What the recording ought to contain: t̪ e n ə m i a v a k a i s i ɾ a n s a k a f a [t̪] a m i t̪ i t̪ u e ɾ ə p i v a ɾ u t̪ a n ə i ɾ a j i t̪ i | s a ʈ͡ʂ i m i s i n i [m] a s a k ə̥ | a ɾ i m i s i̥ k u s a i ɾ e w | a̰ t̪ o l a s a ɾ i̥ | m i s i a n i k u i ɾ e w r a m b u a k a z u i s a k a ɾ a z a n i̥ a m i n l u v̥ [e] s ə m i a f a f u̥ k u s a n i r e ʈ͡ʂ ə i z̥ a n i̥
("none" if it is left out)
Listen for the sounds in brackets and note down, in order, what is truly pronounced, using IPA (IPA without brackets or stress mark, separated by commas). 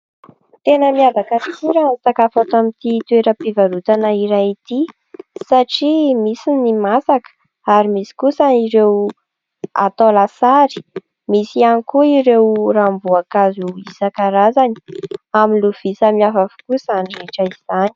t̪, m, i